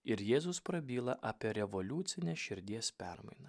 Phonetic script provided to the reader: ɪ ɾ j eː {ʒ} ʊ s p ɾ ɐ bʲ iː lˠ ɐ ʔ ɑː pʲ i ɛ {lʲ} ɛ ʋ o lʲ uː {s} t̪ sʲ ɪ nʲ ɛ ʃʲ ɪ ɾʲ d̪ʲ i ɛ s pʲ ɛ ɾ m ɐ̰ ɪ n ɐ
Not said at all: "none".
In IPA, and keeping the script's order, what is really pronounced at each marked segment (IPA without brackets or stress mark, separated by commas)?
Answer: z, ɾʲ, none